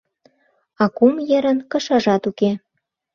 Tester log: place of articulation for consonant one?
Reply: velar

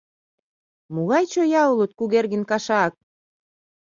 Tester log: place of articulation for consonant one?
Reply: labial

